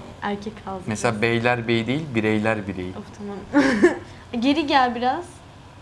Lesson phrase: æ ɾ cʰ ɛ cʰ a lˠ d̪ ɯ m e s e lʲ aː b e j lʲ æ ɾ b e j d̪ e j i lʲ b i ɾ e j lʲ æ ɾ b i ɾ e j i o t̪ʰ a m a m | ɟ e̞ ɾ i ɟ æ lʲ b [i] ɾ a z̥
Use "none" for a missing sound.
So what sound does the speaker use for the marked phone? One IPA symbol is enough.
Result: i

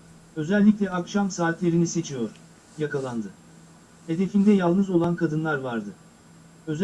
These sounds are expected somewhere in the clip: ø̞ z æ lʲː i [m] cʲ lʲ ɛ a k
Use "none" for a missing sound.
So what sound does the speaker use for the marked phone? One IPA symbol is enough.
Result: none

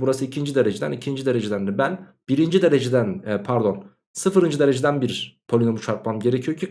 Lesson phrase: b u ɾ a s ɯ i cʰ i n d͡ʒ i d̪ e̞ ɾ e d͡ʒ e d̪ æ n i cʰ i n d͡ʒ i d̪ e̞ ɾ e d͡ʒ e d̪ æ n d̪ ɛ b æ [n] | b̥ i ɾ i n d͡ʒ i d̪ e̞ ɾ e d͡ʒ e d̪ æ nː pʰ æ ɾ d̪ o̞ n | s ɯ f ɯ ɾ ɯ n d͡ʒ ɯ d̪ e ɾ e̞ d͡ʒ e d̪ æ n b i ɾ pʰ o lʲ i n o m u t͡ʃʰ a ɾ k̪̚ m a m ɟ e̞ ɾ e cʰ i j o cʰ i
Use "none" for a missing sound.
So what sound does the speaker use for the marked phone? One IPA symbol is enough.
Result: n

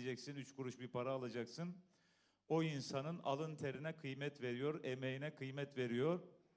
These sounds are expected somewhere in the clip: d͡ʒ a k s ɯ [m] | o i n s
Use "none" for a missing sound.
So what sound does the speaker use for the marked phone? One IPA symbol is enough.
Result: n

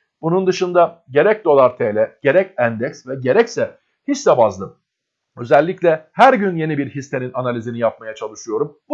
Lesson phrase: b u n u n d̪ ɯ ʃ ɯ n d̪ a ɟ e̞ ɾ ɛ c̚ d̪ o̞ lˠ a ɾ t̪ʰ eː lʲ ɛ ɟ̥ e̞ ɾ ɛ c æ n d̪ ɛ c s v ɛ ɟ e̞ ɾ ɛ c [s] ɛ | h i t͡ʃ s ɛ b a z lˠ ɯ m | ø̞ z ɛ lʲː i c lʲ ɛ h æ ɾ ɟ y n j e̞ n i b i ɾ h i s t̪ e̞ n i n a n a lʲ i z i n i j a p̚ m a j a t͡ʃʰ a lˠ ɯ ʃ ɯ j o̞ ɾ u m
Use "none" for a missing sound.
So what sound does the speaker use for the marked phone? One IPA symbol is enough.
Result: s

